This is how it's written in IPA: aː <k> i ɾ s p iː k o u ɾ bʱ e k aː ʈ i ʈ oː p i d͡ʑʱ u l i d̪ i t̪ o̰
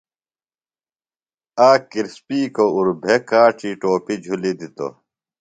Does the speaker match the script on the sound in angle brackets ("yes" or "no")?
yes